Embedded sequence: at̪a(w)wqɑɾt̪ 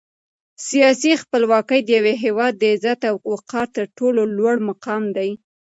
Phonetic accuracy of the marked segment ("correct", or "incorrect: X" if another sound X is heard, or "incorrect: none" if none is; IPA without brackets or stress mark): correct